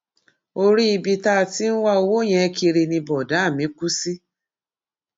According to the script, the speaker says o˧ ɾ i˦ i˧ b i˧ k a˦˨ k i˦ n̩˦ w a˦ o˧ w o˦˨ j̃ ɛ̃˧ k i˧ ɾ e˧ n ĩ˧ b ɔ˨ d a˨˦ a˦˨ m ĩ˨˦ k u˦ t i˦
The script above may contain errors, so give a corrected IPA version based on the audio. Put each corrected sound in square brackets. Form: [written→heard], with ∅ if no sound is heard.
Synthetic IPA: o˧ ɾ i˦ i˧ b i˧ [k→t] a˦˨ [k→t] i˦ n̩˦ w a˦ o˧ w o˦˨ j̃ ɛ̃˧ k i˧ ɾ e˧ n ĩ˧ b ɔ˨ d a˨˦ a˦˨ m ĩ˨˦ k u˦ [t→s] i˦